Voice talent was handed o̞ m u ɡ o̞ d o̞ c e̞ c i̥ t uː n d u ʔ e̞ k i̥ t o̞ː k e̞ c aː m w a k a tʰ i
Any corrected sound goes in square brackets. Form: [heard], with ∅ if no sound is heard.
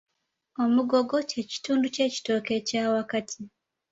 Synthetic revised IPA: o̞ m u ɡ o̞ [ɡ] o̞ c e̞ c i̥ t uː n d u [c] e̞ [c] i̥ t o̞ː k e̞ c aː [∅] w a k a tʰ i